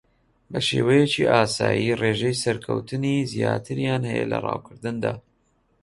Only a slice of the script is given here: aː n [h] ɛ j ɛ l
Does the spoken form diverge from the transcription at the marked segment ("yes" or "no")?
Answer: no